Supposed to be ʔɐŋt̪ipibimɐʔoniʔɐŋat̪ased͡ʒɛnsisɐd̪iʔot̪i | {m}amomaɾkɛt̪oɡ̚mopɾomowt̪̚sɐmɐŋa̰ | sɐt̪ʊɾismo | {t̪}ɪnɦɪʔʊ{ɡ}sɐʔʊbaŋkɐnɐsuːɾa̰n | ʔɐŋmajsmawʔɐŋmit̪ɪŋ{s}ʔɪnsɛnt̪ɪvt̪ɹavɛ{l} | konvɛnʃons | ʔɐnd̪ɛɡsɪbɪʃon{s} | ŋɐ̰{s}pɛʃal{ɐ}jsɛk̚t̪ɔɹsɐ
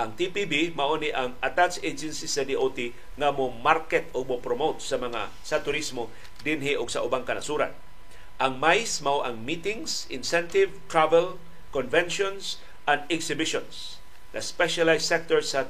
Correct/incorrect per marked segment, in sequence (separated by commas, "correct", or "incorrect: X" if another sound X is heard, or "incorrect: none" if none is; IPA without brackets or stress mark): incorrect: ŋ, incorrect: d̪, correct, correct, correct, correct, correct, incorrect: a